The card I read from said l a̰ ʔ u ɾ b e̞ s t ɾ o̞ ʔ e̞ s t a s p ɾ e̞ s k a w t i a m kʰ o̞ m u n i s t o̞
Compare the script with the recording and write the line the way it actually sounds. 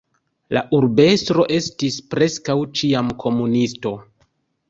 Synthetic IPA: l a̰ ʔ u ɾ b e̞ s t ɾ o̞ ʔ e̞ s t i s p ɾ e̞ s k a w t͡ʃ i a m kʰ o̞ m u n i s t o̞